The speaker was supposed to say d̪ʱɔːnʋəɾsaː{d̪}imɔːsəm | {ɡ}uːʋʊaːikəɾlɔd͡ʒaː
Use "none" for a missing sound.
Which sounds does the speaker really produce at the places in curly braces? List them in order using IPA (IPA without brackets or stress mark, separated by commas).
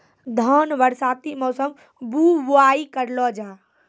t̪, b